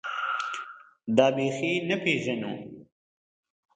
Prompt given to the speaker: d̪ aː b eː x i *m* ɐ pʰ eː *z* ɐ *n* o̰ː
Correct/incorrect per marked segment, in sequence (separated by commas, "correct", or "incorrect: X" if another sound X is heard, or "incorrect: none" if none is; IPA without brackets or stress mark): incorrect: n, incorrect: ʒ, correct